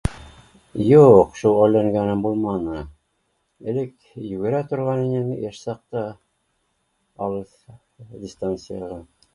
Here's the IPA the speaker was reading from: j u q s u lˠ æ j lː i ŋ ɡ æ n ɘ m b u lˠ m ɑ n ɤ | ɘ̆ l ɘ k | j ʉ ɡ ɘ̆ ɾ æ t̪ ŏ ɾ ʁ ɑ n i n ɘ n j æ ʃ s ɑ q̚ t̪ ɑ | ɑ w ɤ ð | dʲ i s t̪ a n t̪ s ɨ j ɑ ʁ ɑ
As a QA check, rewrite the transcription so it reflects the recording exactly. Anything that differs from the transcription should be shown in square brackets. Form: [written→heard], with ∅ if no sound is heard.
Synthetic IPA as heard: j u q [s→ʃ] u lˠ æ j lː [i→æ] ŋ ɡ æ n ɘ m b u lˠ m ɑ n ɤ | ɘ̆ l ɘ k | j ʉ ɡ ɘ̆ ɾ æ t̪ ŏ ɾ ʁ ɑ n i n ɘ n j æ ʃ s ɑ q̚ t̪ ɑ | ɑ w ɤ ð | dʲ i s t̪ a n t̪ s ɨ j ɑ ʁ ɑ

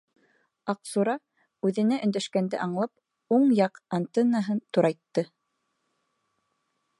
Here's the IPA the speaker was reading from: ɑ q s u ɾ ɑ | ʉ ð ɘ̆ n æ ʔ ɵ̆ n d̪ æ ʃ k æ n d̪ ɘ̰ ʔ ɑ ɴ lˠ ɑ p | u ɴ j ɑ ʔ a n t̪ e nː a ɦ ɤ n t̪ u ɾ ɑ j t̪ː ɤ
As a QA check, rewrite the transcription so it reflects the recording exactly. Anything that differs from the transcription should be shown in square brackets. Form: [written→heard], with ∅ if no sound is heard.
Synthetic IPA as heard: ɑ q s u ɾ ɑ | ʉ ð ɘ̆ n æ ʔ ɵ̆ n d̪ æ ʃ k æ n d̪ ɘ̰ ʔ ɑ ɴ lˠ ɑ p | u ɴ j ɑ [ʔ→q] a n t̪ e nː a ɦ ɤ n t̪ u ɾ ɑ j t̪ː ɤ

